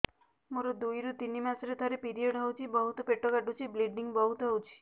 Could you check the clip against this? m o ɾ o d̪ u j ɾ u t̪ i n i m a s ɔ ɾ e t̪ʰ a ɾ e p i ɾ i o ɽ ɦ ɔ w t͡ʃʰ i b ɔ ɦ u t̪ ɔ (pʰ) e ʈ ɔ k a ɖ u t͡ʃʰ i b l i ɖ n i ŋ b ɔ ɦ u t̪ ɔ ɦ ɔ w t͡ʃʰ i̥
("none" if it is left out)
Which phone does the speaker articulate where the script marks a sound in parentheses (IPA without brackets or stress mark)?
p